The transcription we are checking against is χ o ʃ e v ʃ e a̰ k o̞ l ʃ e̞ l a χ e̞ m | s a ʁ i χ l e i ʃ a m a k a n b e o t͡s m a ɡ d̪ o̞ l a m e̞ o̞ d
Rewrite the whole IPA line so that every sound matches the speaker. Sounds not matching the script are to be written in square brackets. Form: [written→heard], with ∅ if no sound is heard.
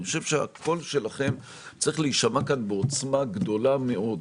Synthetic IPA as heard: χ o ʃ e v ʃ e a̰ k o̞ l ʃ e̞ l a χ e̞ m | [s→t͡s] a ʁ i χ l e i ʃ a m a k a n b e o t͡s m a ɡ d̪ o̞ l a m e̞ o̞ d